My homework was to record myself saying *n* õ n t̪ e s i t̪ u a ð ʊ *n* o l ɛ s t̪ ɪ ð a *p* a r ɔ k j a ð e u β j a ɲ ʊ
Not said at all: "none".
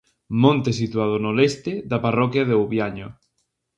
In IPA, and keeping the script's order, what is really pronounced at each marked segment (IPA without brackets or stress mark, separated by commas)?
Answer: m, n, p